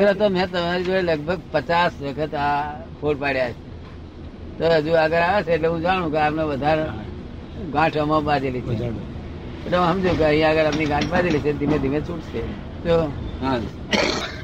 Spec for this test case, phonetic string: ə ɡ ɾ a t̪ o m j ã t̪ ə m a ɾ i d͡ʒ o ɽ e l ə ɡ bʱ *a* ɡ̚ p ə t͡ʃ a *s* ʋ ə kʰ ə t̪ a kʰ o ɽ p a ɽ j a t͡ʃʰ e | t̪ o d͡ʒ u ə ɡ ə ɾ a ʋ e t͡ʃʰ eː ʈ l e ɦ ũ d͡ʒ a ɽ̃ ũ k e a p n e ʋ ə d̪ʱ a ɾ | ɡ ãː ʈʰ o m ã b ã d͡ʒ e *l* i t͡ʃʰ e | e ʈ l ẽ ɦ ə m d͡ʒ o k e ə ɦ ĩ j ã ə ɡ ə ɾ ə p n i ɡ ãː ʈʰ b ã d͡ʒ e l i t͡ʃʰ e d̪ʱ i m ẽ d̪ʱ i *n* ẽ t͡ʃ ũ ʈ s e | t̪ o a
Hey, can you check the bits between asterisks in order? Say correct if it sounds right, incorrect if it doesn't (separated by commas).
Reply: incorrect, correct, correct, incorrect